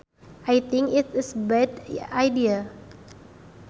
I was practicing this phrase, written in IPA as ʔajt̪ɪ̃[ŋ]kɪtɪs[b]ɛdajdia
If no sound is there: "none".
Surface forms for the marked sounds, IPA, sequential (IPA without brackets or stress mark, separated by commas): ŋ, b